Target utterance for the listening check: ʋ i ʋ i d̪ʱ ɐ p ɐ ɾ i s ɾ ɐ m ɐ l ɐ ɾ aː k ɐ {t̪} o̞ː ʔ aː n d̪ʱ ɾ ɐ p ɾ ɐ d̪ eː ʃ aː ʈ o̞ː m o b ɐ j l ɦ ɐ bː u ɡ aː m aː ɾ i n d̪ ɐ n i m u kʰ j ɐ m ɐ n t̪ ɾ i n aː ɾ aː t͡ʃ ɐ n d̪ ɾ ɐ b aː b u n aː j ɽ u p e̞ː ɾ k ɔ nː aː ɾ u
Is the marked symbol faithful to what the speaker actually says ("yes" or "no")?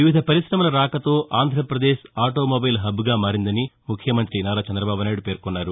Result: yes